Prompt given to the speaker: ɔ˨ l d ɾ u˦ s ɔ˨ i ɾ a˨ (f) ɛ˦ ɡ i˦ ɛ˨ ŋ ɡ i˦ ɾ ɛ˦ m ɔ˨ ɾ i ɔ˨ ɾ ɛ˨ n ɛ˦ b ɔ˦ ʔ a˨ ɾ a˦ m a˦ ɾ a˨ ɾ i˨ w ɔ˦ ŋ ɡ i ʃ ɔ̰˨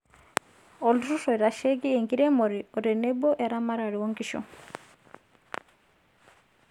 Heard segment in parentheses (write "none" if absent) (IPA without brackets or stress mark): ʃ